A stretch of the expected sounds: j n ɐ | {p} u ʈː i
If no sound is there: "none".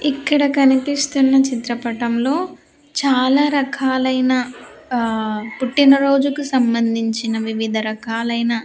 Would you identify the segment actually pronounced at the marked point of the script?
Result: p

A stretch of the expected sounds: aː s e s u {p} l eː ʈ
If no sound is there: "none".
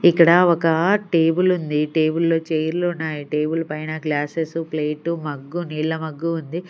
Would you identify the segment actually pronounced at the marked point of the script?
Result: p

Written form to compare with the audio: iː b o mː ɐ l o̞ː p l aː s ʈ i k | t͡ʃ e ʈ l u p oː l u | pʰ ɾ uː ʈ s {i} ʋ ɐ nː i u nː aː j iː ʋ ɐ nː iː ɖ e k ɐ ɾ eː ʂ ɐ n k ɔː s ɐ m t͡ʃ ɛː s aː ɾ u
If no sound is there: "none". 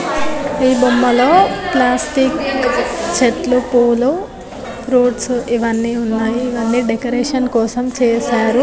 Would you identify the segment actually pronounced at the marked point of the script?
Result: i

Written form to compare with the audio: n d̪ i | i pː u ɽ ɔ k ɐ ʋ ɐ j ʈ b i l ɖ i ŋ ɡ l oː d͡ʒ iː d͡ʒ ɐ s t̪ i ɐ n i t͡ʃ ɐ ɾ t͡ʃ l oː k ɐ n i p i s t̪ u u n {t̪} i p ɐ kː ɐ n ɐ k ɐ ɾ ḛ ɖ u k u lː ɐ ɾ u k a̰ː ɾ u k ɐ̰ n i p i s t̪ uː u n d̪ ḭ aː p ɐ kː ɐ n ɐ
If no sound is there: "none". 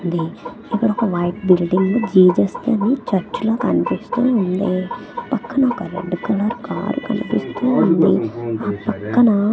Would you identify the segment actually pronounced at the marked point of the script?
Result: d̪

